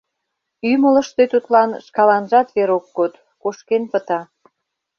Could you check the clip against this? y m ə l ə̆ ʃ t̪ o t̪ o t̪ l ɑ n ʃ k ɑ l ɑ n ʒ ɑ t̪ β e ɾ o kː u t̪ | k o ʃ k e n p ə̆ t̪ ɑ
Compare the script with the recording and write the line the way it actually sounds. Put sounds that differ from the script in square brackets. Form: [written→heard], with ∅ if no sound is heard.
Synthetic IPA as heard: y m ə l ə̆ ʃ t̪ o t̪ [o→u] t̪ l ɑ n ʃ k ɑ l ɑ n ʒ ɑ t̪ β e ɾ o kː [u→o] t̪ | k o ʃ k e n p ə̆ t̪ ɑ